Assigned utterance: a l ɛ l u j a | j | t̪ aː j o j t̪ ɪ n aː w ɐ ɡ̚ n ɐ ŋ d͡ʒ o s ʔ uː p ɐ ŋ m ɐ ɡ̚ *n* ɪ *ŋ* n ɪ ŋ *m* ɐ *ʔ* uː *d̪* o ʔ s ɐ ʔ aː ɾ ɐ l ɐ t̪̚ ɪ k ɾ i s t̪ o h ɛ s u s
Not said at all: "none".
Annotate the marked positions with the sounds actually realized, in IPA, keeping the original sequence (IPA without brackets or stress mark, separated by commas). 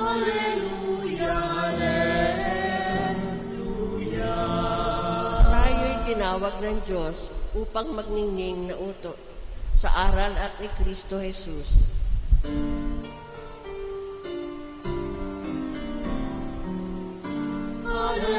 n, ŋ, n, ʔ, t̪